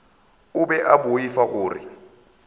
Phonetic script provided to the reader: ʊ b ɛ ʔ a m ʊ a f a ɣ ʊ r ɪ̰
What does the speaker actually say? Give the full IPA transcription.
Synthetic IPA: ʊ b ɛ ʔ a b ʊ i f a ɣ ʊː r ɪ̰